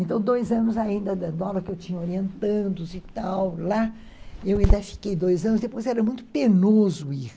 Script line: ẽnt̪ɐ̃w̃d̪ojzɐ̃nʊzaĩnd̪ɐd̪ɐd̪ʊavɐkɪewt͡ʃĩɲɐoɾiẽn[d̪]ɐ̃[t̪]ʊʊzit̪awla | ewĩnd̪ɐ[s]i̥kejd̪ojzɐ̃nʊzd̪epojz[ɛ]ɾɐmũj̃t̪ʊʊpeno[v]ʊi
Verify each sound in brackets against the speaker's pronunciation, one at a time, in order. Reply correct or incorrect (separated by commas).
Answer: incorrect, incorrect, incorrect, correct, incorrect